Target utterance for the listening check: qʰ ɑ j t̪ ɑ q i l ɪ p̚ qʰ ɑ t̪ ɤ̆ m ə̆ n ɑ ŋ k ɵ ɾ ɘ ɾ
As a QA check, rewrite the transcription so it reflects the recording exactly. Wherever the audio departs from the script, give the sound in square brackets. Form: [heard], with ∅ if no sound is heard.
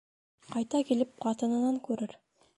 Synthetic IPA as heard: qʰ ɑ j t̪ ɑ [k] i l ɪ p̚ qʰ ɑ t̪ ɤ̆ [n] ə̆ n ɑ ŋ k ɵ ɾ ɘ ɾ